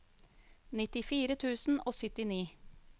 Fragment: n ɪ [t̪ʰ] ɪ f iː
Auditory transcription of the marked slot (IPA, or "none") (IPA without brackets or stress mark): t̪